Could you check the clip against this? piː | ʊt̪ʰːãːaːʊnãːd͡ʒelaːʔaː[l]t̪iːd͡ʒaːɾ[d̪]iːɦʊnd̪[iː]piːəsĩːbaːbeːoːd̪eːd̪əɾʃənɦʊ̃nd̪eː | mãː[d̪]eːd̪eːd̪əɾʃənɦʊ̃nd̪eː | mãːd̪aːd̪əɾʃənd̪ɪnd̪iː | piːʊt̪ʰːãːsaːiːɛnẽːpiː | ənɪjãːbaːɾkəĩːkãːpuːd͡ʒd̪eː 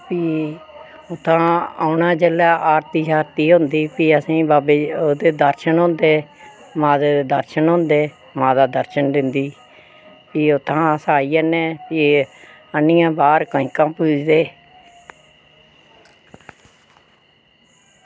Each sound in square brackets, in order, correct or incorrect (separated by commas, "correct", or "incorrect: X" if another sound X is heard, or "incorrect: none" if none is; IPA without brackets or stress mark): incorrect: ɾ, incorrect: t̪, correct, correct